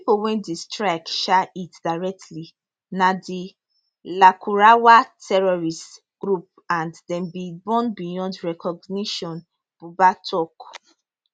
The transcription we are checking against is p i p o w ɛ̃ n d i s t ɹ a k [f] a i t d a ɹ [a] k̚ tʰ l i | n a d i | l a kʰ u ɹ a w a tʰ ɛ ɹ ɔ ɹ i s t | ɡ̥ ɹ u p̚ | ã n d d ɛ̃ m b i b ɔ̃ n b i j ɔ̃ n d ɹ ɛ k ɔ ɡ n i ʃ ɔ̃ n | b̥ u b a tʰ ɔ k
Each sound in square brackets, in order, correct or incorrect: incorrect: ʃ, incorrect: ɛ

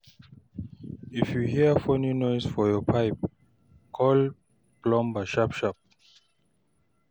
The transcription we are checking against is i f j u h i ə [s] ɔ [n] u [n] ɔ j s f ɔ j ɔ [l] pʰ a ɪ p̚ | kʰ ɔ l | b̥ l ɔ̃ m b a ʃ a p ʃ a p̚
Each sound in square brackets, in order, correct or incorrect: incorrect: f, correct, correct, incorrect: none

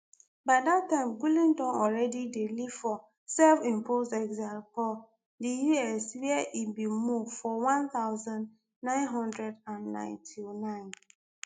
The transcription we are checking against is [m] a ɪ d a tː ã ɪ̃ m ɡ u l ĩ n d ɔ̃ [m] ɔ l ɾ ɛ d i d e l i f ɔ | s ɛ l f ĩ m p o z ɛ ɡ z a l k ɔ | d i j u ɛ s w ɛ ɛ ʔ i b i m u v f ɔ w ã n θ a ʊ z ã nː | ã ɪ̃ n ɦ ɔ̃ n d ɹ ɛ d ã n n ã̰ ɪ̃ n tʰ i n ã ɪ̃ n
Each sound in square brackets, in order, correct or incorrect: incorrect: b, incorrect: n

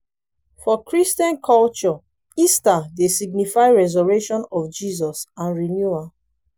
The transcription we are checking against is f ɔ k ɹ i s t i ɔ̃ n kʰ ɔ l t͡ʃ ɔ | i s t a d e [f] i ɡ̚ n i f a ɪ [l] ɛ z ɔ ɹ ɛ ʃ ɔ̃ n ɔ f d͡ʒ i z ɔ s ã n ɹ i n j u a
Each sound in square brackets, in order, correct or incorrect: incorrect: s, incorrect: ɹ

